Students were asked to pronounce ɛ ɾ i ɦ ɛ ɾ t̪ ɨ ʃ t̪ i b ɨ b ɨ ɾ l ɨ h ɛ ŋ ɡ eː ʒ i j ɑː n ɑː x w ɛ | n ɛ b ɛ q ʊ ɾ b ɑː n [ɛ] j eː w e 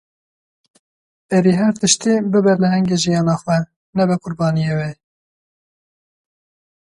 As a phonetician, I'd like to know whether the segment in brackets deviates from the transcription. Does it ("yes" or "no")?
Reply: yes